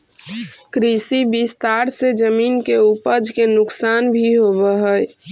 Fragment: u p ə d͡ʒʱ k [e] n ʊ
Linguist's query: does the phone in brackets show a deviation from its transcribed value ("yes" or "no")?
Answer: no